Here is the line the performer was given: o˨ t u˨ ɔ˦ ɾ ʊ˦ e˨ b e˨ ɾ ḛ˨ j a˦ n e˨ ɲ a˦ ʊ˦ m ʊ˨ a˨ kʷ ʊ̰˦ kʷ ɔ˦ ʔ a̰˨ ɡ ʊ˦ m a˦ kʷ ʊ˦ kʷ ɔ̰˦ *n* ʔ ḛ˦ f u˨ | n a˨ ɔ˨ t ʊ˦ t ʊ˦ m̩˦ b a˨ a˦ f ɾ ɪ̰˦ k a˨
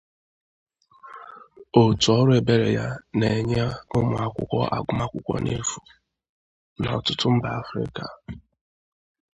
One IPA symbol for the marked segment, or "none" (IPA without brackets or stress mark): n